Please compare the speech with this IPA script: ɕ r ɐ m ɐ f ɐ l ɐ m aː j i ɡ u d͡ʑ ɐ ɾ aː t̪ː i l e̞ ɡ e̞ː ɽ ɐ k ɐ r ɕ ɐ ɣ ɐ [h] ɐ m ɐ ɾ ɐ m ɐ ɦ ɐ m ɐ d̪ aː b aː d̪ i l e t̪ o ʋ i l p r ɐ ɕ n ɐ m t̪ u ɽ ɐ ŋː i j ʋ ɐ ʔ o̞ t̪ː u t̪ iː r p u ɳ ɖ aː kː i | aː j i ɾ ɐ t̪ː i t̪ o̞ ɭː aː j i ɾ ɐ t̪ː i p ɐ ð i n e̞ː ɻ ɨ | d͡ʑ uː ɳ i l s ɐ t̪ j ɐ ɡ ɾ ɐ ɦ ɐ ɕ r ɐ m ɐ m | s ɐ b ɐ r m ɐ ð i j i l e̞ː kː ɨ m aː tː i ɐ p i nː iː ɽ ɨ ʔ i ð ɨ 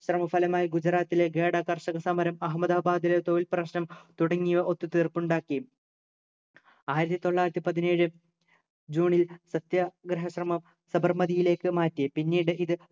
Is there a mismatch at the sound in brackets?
yes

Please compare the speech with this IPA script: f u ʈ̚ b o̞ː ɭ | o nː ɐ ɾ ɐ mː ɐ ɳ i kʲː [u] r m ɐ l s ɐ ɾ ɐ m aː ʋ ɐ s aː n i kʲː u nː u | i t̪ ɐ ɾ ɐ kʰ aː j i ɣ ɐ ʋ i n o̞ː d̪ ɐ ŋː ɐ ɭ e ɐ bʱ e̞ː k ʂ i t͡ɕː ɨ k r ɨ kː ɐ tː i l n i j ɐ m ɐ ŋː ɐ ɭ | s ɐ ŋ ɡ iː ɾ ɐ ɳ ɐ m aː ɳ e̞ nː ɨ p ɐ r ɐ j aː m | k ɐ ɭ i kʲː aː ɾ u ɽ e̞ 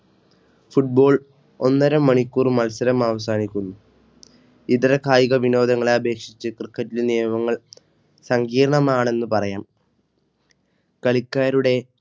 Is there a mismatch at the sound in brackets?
yes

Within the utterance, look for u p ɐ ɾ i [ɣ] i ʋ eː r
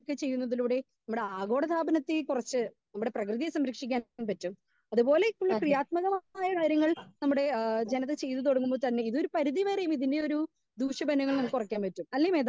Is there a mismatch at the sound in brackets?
yes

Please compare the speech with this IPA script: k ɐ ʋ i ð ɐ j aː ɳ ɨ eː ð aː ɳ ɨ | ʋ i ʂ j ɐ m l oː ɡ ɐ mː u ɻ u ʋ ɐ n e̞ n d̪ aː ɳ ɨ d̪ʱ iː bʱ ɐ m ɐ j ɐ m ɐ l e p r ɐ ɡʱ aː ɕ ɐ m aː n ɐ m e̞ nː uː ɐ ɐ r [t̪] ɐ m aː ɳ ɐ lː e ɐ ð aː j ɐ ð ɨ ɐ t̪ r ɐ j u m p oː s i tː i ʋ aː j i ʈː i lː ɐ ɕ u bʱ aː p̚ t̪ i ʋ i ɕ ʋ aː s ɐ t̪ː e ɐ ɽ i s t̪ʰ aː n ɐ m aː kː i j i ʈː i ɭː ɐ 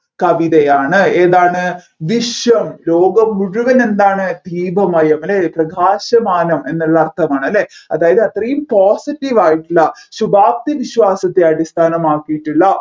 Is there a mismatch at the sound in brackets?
yes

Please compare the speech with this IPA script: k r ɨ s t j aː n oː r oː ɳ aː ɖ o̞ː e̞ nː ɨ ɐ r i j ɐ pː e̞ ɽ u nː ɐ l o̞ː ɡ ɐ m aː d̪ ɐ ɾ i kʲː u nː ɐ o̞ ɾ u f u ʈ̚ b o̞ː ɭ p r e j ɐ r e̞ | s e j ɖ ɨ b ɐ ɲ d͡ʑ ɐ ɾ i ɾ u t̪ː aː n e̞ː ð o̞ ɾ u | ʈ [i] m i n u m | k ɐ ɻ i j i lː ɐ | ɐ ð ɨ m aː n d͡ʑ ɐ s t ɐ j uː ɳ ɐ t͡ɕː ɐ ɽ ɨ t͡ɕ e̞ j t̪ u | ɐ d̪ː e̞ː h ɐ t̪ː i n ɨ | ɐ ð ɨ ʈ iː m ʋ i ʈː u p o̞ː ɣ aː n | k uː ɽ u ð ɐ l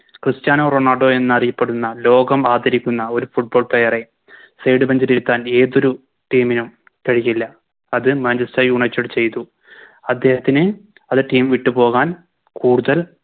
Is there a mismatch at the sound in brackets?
yes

